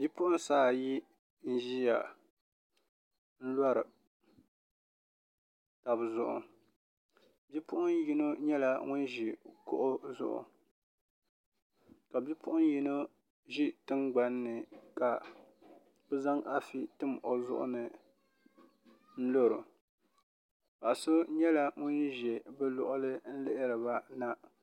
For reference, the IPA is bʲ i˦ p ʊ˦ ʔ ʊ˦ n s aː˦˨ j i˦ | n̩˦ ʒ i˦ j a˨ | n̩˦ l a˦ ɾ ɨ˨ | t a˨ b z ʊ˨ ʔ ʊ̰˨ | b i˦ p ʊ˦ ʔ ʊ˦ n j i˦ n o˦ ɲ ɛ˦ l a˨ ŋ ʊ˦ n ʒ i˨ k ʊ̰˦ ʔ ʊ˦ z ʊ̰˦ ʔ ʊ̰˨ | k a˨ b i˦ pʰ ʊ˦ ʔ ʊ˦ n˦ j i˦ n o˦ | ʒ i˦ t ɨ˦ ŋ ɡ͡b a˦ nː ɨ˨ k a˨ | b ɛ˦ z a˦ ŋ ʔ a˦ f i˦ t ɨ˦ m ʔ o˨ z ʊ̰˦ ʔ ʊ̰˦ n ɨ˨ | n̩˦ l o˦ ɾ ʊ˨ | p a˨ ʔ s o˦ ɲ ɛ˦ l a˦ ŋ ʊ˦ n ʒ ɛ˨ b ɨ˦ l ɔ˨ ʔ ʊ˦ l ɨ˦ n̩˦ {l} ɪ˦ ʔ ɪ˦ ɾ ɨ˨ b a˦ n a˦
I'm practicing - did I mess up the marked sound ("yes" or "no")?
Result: no